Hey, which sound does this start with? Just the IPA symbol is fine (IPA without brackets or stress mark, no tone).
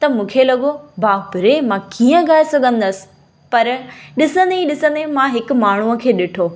t̪